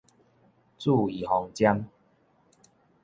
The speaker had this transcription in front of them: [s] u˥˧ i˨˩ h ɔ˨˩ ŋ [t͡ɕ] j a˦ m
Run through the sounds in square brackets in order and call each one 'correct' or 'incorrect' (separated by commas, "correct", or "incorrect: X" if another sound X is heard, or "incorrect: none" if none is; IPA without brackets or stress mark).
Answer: incorrect: t͡s, correct